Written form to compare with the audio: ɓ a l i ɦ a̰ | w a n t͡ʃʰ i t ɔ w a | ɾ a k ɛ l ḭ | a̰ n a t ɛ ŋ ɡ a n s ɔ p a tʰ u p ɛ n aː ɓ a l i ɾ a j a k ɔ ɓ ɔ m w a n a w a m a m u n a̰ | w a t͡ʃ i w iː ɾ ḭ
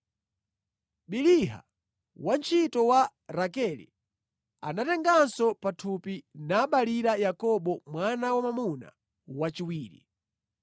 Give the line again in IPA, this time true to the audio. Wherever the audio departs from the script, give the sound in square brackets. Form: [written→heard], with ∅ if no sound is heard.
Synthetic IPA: ɓ [a→i] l i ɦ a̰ | w a n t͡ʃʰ i t ɔ w a | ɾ a k ɛ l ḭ | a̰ n a t ɛ ŋ ɡ a n s ɔ p a tʰ u p [ɛ→i] n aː ɓ a l i ɾ a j a k ɔ ɓ ɔ m w a n a w a m a m u n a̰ | w a t͡ʃ i w iː ɾ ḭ